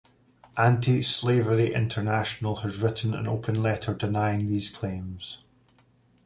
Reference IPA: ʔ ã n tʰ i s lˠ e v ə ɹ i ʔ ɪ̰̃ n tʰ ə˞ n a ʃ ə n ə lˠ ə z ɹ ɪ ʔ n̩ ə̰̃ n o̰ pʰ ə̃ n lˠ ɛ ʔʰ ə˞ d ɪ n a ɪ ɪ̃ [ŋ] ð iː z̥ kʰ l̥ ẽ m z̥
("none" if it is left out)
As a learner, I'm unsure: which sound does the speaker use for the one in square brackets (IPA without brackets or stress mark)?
ŋ